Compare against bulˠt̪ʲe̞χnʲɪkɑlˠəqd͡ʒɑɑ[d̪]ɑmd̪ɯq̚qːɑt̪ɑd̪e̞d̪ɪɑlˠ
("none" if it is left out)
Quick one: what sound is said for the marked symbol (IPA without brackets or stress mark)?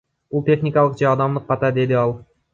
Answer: d̪